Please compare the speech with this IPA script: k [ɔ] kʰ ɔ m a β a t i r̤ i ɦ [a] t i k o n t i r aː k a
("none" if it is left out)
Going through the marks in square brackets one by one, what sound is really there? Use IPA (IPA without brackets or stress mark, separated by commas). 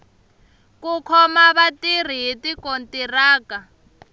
u, i